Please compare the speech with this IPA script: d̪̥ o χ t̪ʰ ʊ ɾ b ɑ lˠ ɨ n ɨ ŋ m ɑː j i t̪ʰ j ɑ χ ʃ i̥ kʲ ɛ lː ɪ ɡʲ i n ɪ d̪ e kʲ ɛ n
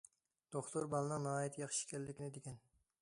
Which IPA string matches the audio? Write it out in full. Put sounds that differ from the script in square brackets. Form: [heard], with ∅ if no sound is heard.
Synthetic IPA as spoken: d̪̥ o χ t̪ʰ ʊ ɾ b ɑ lˠ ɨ n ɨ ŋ [n] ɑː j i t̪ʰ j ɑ χ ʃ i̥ kʲ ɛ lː ɪ [kʲ] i n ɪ d̪ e kʲ ɛ n